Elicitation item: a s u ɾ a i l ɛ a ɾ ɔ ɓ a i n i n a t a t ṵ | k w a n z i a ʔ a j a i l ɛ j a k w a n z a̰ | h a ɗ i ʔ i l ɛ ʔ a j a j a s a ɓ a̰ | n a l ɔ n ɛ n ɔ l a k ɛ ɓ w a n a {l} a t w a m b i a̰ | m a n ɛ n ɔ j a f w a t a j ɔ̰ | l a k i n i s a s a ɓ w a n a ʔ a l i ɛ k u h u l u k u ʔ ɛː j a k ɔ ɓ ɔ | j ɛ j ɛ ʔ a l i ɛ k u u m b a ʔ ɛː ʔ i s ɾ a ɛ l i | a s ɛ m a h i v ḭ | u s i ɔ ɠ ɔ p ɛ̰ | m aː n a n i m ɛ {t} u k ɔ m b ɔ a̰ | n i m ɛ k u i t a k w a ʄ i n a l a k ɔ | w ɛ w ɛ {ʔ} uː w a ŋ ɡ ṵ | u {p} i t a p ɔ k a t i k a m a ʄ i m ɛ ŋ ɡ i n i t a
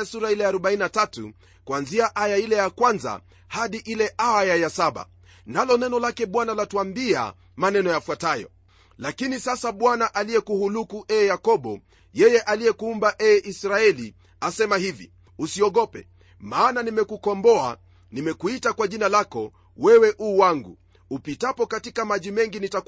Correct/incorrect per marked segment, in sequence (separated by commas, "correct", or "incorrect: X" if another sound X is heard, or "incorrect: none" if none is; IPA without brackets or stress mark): correct, incorrect: k, correct, correct